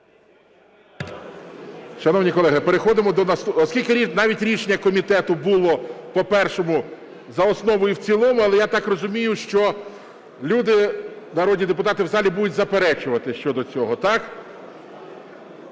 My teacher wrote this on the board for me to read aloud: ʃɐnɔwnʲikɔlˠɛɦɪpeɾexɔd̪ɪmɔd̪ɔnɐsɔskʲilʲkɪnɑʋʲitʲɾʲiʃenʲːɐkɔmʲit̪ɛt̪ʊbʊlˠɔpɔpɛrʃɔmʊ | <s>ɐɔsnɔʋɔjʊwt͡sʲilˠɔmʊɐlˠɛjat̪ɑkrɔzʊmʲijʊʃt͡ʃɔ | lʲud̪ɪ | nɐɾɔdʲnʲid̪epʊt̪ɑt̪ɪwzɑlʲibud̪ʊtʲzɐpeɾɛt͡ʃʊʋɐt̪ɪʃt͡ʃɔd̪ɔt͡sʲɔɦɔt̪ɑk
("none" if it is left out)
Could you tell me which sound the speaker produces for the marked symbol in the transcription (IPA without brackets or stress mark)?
z